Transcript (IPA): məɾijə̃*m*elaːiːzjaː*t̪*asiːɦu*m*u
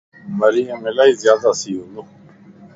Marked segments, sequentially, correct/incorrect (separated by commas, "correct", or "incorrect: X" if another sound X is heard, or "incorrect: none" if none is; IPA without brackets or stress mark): correct, incorrect: d̪, incorrect: n